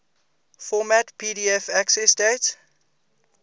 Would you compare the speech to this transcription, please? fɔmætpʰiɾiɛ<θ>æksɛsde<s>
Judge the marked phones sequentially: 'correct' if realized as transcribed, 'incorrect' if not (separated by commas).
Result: incorrect, incorrect